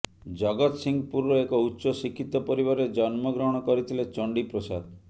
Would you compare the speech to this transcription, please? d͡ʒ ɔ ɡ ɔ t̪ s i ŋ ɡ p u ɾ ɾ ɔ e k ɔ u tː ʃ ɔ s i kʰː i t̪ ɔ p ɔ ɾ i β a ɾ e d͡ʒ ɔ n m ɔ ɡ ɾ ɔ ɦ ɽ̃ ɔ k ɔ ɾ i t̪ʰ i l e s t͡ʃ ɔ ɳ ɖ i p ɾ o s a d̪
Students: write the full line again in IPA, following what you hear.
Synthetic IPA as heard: d͡ʒ ɔ ɡ ɔ t̪ s i ŋ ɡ p u ɾ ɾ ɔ e k ɔ u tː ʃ ɔ s i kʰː i t̪ ɔ p ɔ ɾ i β a ɾ e d͡ʒ ɔ n m ɔ ɡ ɾ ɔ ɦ ɽ̃ ɔ k ɔ ɾ i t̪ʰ i l e t͡ʃ ɔ ɳ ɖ i p ɾ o s a d̪